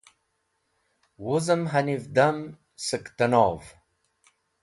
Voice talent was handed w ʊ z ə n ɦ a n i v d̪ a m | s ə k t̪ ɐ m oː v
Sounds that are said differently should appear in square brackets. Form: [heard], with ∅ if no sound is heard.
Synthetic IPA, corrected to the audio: w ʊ z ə [m] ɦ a n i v d̪ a m | s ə k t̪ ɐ [n] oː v